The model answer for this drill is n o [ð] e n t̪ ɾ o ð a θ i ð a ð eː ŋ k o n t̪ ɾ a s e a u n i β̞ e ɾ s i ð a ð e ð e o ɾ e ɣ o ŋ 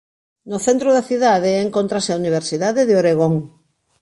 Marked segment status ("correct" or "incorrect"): incorrect